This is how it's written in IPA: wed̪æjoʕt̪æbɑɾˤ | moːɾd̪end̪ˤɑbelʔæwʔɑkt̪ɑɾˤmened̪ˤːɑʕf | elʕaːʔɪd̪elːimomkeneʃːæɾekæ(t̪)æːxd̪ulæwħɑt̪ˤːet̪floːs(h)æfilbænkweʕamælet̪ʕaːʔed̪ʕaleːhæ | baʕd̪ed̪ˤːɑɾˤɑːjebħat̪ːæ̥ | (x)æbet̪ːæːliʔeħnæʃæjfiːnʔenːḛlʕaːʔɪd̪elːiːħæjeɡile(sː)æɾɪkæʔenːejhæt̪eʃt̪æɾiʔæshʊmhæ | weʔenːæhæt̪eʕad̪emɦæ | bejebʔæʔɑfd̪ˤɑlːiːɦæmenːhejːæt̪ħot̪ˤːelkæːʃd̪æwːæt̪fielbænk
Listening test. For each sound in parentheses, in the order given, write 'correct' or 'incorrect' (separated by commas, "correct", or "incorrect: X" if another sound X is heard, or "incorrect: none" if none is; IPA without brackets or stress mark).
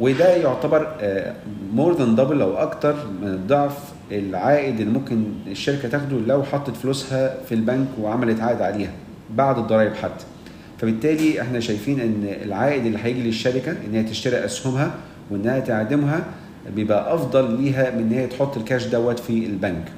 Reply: correct, correct, incorrect: f, incorrect: ʃː